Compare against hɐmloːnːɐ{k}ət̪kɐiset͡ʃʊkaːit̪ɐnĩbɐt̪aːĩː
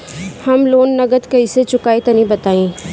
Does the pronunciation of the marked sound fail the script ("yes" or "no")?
yes